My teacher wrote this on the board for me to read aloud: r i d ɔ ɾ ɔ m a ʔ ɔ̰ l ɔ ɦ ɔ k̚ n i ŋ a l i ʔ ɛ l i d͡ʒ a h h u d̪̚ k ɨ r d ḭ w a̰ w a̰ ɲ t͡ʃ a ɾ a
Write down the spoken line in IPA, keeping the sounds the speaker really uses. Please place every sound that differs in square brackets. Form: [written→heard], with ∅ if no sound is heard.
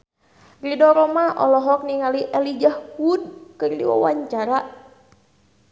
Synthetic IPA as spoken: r i d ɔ ɾ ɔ m a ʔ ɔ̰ l ɔ ɦ ɔ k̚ n i ŋ a l i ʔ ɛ l i d͡ʒ a h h u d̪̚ k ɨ r d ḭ w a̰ w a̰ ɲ t͡ʃ a ɾ a